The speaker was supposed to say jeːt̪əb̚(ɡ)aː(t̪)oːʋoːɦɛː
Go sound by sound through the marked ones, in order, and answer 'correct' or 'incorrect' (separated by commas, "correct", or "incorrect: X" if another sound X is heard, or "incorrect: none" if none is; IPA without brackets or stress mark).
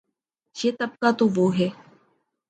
incorrect: k, correct